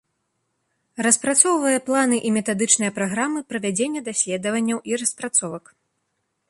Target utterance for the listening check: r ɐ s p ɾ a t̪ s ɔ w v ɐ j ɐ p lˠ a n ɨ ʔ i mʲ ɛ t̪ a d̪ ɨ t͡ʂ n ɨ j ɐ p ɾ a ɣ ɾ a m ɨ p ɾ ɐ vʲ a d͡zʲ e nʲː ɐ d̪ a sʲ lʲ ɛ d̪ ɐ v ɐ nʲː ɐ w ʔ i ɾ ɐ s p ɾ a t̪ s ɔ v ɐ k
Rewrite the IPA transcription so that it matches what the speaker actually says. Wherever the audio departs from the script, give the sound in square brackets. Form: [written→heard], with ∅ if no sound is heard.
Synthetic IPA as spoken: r ɐ s p ɾ a t̪ s ɔ w v ɐ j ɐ p lˠ a n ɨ ʔ i mʲ ɛ t̪ a d̪ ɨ t͡ʂ n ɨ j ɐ p ɾ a ɣ ɾ a m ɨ p ɾ ɐ vʲ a d͡zʲ e nʲː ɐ d̪ a sʲ lʲ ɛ d̪ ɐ v ɐ nʲː ɐ w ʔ i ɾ ɐ s p ɾ a t̪ s ɔ v ɐ k

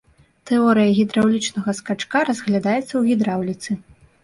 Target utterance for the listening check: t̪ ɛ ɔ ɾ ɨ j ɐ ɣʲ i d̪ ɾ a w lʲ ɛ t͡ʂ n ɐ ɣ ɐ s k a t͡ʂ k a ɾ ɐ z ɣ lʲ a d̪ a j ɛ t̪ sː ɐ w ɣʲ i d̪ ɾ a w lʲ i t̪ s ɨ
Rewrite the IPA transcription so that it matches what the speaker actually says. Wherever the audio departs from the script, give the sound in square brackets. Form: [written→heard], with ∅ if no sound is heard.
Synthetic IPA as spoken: t̪ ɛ ɔ ɾ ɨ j ɐ ɣʲ i d̪ ɾ a w lʲ [ɛ→i] t͡ʂ n ɐ ɣ ɐ s k a t͡ʂ k a ɾ ɐ z ɣ lʲ a d̪ a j ɛ t̪ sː ɐ w ɣʲ i d̪ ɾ a w lʲ i t̪ s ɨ

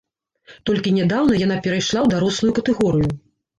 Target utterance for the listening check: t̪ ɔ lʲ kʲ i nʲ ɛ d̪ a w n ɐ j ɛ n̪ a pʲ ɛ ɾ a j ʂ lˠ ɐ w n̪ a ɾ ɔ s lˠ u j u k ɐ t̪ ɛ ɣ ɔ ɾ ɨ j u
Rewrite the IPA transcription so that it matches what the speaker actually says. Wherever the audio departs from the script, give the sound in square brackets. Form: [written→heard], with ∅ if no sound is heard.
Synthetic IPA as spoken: t̪ ɔ lʲ kʲ i nʲ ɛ d̪ a w n ɐ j [ɛ→a] n̪ a pʲ ɛ ɾ a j ʂ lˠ [ɐ→a] w [n̪→d̪] a ɾ ɔ s lˠ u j u k ɐ t̪ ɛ ɣ ɔ ɾ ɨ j u

